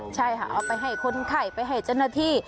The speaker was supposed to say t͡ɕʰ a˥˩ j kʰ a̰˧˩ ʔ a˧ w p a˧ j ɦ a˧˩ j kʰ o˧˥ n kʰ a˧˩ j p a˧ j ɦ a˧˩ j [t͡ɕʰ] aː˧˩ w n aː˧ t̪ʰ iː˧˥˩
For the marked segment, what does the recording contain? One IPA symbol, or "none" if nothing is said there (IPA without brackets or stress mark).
t͡ɕ